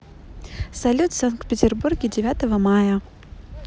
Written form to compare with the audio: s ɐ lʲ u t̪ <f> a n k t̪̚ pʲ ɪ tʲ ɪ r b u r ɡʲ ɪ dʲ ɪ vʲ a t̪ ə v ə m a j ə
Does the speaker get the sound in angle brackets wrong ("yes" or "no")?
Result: yes